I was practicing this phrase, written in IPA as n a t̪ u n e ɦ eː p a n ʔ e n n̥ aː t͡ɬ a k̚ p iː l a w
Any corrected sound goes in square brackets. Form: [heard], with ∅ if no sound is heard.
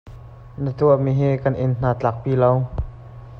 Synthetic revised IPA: n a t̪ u [m] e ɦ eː [k] a n ʔ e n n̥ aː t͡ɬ a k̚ p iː l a w